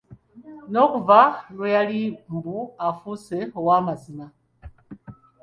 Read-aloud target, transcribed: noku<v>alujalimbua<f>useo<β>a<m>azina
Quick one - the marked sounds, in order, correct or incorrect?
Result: correct, correct, incorrect: w, correct

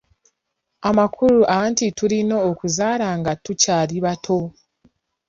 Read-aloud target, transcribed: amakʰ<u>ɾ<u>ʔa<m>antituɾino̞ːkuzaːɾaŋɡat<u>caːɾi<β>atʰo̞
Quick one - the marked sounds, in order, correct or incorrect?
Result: correct, correct, incorrect: none, correct, correct

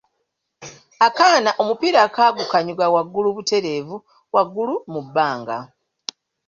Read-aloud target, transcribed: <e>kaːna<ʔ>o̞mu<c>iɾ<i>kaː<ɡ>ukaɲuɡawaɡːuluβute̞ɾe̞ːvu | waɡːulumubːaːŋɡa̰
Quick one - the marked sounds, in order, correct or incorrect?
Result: incorrect: a, correct, incorrect: p, incorrect: a, correct

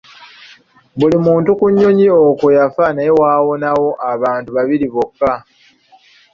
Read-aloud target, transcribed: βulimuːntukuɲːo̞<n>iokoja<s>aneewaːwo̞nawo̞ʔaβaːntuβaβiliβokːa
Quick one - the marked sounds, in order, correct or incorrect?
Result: incorrect: ɲ, incorrect: f

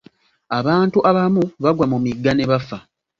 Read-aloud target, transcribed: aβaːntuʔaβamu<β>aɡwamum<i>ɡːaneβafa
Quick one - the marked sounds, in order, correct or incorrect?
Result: correct, correct

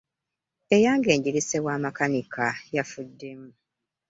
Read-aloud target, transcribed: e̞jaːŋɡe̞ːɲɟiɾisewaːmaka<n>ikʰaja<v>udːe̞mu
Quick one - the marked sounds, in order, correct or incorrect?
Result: correct, incorrect: f

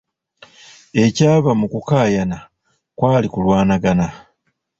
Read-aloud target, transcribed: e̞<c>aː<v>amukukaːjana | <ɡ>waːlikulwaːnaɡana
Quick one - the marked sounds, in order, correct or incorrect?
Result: correct, incorrect: β, incorrect: k

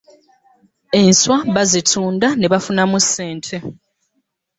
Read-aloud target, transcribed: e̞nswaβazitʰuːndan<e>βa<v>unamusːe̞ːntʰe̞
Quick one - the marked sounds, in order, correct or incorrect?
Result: correct, incorrect: f

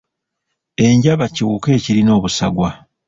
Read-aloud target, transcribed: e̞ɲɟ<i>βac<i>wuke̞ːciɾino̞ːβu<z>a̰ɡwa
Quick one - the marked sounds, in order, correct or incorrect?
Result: incorrect: a, correct, incorrect: s

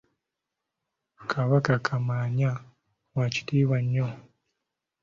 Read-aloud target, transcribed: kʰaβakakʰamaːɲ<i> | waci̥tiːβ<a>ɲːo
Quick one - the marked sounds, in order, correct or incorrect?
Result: incorrect: a, correct

